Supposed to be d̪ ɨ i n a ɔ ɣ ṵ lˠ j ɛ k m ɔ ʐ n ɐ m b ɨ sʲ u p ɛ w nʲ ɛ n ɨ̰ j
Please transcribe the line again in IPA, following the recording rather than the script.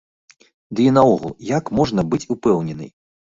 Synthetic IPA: d̪ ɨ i n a ɔ ɣ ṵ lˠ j a k m ɔ ʐ n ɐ b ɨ t͡sʲ u p ɛ w nʲ ɛ n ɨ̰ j